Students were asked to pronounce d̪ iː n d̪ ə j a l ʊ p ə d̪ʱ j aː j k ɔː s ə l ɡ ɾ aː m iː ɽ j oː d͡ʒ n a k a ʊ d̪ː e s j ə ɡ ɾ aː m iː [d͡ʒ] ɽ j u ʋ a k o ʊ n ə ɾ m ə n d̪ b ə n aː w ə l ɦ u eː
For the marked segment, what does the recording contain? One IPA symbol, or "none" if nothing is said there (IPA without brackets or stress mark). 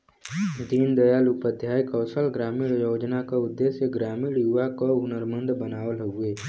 none